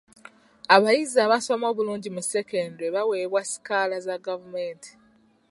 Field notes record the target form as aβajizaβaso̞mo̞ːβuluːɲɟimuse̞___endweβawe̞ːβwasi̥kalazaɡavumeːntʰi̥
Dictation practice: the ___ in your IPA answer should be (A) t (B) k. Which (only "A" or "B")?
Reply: B